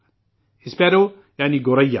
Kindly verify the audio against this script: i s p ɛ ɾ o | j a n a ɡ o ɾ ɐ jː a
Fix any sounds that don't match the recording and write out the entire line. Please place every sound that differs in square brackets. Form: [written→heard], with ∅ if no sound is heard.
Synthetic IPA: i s p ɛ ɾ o | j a n [a→i] ɡ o ɾ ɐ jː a